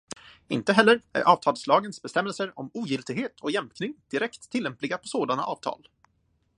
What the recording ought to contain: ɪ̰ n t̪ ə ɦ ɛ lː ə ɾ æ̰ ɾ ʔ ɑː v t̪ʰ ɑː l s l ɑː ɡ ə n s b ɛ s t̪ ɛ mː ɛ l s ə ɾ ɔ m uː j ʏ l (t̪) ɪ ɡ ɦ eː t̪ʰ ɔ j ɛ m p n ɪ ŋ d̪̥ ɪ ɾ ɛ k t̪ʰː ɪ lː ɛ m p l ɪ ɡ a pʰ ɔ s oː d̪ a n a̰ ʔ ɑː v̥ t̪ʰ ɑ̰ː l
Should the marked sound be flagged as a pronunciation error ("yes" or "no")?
no